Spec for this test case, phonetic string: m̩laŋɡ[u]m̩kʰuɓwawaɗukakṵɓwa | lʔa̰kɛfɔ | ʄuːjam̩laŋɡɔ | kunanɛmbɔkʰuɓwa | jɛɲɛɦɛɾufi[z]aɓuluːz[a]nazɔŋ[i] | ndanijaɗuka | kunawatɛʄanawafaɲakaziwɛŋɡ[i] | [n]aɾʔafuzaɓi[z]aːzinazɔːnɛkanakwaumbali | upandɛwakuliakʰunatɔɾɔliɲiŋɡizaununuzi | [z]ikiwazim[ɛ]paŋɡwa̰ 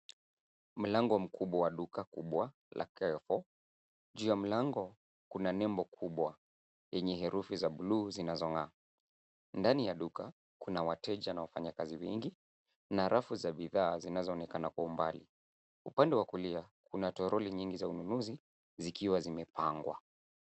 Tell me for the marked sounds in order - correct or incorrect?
incorrect, correct, incorrect, incorrect, correct, correct, incorrect, correct, correct

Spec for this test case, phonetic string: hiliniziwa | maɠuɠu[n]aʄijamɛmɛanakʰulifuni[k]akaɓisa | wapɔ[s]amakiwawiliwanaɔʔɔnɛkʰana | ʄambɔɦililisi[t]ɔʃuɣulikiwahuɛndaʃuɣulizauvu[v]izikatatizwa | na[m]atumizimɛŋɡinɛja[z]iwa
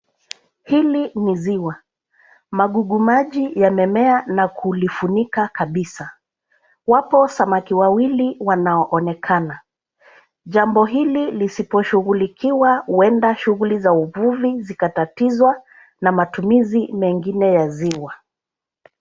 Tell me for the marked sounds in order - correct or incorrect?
incorrect, correct, correct, incorrect, correct, correct, correct

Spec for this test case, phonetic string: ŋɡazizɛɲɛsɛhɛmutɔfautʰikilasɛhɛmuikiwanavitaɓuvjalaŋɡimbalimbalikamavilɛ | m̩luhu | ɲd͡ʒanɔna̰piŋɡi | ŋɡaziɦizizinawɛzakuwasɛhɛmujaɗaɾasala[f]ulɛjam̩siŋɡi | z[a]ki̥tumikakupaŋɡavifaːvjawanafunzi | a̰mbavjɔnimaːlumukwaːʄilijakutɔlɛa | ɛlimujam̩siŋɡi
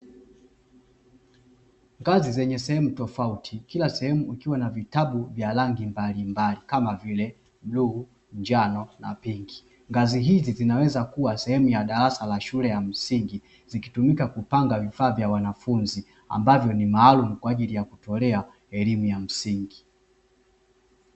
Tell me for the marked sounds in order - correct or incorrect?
incorrect, incorrect

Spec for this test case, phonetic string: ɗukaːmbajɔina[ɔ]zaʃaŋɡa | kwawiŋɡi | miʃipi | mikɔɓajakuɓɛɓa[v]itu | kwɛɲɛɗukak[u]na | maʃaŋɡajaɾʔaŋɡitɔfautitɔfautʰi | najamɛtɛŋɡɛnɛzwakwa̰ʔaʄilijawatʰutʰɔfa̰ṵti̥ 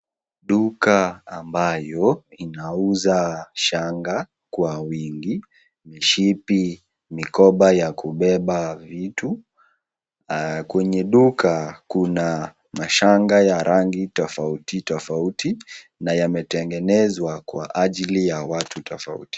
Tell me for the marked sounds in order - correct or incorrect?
incorrect, correct, correct

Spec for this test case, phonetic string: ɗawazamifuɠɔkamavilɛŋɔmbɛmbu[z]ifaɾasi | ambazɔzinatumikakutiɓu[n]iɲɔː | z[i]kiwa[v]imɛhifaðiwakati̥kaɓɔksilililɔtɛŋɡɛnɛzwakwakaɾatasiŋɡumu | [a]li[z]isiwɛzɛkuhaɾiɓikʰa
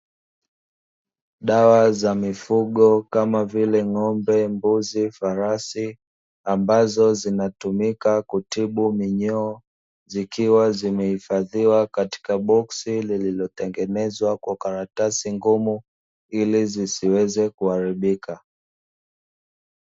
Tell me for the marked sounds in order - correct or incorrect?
correct, incorrect, correct, incorrect, incorrect, correct

